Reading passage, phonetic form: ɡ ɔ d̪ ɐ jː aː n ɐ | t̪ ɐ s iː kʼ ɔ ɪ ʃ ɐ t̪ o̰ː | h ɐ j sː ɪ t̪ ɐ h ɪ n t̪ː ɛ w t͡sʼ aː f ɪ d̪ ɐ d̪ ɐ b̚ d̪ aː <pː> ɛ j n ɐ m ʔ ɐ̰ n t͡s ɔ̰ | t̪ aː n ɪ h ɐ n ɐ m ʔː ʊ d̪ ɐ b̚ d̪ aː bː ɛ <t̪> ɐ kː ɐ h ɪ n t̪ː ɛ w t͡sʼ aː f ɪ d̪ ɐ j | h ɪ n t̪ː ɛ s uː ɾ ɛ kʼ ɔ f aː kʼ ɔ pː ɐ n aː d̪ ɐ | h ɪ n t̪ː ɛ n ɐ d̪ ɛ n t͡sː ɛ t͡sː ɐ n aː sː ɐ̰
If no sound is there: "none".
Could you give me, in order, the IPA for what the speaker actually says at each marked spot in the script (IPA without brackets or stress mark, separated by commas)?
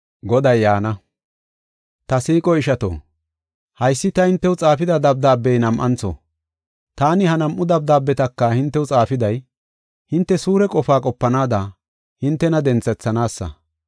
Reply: bː, t̪